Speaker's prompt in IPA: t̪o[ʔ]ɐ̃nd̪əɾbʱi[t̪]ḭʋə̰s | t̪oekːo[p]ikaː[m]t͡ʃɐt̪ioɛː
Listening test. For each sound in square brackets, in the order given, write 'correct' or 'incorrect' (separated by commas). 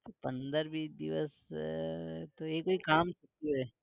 incorrect, incorrect, incorrect, correct